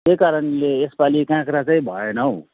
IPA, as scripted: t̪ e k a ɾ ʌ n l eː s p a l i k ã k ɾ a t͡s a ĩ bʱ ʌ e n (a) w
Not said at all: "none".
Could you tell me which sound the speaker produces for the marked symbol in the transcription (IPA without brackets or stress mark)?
ʌ